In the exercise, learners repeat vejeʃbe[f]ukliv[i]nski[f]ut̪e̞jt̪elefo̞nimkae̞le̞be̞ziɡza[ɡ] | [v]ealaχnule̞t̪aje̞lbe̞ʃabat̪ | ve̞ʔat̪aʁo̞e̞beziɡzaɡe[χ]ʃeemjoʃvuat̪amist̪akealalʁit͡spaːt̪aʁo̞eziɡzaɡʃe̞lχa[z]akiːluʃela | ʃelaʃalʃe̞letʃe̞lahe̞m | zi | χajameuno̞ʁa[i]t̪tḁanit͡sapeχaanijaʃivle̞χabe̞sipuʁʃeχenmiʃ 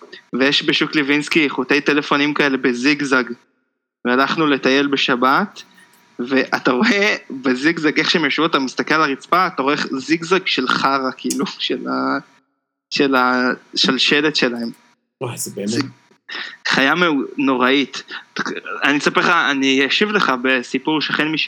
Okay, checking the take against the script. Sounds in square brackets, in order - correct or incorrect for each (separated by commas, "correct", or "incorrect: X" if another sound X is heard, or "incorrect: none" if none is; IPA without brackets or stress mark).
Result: incorrect: ʃ, correct, incorrect: χ, correct, correct, correct, incorrect: ʁ, correct